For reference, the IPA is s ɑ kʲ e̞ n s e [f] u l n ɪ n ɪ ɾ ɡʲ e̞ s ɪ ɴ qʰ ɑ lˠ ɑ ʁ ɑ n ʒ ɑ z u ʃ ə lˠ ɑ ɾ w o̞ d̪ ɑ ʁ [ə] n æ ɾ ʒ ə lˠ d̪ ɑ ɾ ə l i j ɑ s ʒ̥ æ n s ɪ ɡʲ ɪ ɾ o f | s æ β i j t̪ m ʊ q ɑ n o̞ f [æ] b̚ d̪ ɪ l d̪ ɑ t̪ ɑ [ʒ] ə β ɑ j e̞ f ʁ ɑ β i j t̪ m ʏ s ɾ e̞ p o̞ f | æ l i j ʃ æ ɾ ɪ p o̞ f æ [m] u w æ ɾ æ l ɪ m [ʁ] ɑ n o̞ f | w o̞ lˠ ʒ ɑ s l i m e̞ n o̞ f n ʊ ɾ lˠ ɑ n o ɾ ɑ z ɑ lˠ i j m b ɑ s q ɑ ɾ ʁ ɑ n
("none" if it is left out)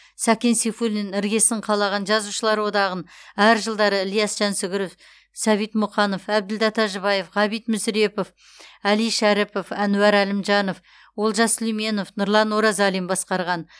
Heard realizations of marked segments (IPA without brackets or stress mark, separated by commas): f, ə, æ, ʒ, n, ʒ